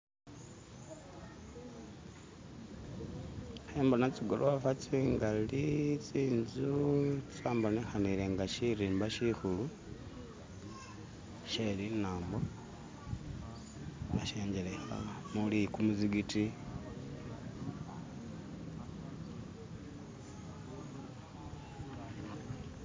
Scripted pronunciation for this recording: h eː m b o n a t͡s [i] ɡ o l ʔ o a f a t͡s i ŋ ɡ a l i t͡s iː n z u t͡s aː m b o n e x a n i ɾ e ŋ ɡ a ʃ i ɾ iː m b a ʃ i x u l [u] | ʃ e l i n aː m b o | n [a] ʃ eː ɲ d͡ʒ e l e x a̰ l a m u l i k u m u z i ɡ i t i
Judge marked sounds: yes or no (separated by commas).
yes, yes, yes